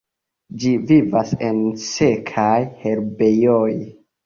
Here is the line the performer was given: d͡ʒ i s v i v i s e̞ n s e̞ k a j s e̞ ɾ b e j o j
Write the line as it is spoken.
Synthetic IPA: d͡ʒ i v i v a s e̞ n s e̞ kʰ a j h e̞ ɾ b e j o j